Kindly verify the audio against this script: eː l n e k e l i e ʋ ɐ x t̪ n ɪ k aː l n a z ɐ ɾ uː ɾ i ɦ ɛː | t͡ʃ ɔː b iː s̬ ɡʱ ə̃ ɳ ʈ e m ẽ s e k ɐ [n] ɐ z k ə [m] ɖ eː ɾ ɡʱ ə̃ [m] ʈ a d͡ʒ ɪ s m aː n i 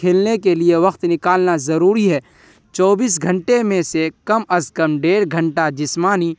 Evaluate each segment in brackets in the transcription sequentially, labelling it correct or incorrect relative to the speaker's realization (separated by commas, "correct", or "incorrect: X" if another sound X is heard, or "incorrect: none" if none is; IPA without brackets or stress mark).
incorrect: m, correct, incorrect: ɳ